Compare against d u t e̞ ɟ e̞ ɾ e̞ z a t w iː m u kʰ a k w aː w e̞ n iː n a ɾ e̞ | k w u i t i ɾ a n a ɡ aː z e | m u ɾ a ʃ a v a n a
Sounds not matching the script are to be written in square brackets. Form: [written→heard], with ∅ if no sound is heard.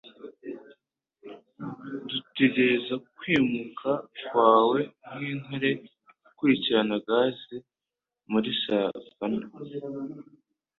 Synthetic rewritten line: d u t e̞ ɟ e̞ ɾ e̞ z a [t→k] w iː m u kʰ a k w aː w e̞ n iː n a ɾ e̞ | k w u i [t→c] i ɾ a n a ɡ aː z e | m u ɾ [a→i] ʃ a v a n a